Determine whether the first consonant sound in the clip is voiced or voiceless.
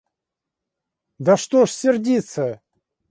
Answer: voiced